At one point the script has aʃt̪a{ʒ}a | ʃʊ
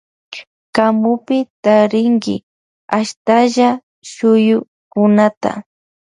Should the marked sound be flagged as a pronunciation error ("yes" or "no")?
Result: no